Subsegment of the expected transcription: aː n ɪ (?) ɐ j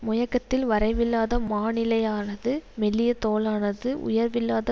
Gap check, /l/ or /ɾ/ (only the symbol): l